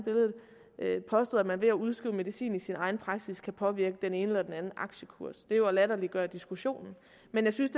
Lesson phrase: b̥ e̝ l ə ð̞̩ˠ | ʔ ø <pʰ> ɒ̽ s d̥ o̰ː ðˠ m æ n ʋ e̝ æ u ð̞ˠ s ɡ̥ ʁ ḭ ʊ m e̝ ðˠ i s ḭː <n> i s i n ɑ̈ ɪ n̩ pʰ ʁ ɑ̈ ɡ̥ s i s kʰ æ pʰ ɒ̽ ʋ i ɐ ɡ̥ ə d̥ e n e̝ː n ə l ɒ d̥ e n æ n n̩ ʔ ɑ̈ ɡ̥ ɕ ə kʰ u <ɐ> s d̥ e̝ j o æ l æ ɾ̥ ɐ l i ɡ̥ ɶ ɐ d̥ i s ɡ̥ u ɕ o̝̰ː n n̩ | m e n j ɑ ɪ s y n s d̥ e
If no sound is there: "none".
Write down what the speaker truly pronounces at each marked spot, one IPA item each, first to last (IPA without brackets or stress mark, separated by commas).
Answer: pʰ, n, ɐ